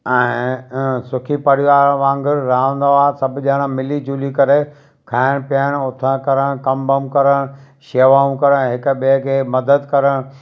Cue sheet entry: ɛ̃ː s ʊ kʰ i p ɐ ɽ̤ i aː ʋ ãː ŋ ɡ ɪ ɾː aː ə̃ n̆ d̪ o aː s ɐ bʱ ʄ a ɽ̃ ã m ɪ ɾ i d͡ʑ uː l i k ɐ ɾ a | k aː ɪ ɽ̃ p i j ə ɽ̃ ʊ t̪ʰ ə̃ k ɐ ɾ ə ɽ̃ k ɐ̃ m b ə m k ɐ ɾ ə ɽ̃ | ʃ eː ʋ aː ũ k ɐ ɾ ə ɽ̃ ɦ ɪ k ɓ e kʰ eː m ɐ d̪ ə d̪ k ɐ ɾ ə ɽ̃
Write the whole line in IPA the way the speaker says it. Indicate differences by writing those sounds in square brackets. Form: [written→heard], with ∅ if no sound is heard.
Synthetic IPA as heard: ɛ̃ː s ʊ kʰ i p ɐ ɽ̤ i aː ʋ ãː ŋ ɡ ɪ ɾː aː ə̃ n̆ d̪ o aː s ɐ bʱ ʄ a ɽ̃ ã m ɪ [ɾ→l] i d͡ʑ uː l i k ɐ ɾ [a→e] | [k→kʰ] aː ɪ ɽ̃ p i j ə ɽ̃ ʊ t̪ʰ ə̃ k ɐ ɾ ə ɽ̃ k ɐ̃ m b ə m k ɐ ɾ ə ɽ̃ | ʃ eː ʋ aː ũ k ɐ ɾ ə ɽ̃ ɦ ɪ k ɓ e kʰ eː m ɐ d̪ ə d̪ k ɐ ɾ ə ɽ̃